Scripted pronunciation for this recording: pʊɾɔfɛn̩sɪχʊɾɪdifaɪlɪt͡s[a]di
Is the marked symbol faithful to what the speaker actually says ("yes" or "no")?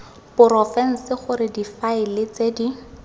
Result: no